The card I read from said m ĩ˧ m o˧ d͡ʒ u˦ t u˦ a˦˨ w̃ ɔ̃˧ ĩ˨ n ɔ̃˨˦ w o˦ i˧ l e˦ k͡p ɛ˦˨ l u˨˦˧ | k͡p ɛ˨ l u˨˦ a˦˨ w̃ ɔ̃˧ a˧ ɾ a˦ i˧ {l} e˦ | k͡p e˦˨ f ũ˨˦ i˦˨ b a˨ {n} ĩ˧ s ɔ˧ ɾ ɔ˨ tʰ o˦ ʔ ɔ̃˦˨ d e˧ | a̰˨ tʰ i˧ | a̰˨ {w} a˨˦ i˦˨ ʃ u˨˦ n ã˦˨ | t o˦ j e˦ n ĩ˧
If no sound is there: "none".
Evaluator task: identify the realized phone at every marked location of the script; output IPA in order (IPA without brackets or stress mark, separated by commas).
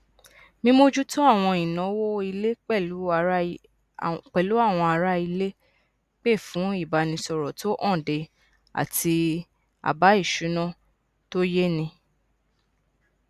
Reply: l, n, b